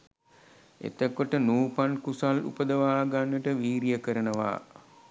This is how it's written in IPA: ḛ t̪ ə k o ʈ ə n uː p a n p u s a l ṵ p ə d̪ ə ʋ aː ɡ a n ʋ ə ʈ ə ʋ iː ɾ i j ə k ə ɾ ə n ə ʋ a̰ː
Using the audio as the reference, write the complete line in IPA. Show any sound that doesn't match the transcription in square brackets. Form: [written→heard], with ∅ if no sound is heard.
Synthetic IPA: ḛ t̪ ə k o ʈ ə n uː p a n [p→k] u s a l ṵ p ə d̪ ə ʋ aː ɡ a n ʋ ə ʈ ə ʋ iː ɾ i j ə k ə ɾ ə n ə ʋ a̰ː